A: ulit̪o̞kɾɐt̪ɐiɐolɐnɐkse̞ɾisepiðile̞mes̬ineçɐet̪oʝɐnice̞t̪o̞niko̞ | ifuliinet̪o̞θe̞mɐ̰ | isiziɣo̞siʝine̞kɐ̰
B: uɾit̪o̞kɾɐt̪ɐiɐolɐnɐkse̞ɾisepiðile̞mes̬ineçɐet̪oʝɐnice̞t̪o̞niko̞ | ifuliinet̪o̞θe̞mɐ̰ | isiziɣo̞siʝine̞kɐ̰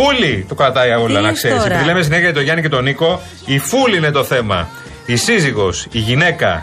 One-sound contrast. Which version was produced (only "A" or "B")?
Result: A